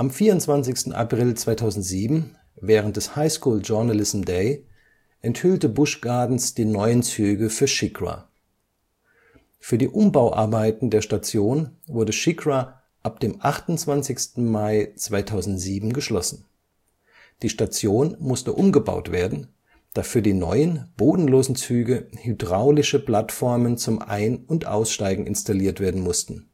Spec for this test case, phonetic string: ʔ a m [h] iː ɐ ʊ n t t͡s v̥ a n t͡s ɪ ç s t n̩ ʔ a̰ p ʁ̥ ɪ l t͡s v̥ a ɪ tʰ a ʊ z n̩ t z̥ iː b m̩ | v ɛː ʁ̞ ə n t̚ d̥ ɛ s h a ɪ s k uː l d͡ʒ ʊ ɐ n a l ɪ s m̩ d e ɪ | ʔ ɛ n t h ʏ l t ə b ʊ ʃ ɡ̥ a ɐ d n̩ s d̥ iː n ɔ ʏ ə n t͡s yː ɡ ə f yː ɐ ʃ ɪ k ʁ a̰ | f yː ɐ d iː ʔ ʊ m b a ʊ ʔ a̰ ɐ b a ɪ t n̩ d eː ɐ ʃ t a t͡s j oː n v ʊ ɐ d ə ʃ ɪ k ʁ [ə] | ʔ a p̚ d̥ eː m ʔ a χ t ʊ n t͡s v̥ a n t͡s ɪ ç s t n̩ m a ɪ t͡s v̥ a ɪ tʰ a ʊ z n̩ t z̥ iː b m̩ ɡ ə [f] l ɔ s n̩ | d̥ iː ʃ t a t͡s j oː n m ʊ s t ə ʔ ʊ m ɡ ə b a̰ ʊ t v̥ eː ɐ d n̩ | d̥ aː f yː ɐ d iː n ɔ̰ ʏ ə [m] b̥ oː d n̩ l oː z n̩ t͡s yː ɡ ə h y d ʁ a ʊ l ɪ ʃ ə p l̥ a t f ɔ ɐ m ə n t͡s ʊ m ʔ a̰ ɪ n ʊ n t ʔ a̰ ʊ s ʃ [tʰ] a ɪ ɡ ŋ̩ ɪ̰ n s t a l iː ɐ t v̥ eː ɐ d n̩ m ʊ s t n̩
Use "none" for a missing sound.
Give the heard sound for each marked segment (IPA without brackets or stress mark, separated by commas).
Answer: f, a, ʃ, n, t